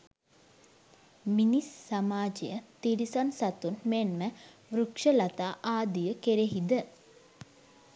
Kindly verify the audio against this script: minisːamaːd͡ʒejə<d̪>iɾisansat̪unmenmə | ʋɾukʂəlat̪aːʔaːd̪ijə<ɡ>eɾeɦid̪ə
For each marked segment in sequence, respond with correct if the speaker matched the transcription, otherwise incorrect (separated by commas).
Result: incorrect, incorrect